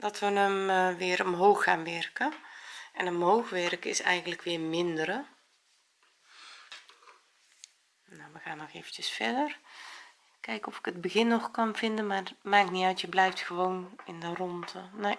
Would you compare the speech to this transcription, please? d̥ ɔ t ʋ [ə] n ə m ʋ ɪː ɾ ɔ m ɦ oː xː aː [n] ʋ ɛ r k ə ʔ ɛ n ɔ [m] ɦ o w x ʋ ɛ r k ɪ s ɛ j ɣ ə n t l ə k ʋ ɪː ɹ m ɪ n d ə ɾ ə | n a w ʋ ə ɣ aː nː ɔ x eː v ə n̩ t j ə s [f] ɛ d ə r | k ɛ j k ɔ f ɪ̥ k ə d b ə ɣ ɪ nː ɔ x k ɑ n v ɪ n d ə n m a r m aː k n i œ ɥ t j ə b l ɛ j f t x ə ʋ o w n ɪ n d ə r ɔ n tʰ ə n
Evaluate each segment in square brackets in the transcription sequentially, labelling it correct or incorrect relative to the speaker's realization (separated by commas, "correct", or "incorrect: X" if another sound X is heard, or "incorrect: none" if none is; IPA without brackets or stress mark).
correct, correct, correct, correct